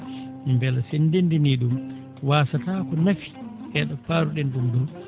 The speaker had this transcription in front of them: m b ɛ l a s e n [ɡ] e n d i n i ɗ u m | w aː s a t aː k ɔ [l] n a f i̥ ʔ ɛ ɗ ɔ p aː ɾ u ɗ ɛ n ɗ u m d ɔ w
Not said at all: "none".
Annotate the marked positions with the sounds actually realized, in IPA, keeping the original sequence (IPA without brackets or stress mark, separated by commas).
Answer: d, none